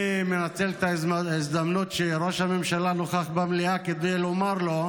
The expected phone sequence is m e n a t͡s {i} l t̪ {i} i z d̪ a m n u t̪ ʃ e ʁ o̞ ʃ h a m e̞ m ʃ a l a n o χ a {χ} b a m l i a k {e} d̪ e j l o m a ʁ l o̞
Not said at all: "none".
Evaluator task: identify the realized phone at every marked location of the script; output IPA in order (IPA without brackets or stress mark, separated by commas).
e, a, χ, e